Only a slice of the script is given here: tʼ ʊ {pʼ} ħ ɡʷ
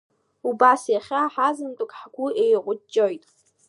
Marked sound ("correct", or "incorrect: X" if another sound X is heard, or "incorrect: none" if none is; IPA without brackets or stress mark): incorrect: kʼ